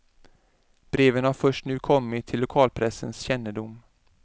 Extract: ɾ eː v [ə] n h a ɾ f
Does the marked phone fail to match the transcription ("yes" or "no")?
no